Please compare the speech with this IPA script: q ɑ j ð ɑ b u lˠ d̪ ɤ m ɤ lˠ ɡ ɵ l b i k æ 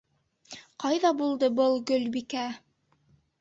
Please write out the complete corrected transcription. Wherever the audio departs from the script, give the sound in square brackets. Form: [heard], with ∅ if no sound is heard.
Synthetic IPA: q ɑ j ð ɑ b u lˠ d̪ ɤ [b] ɤ lˠ ɡ ɵ l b i k æ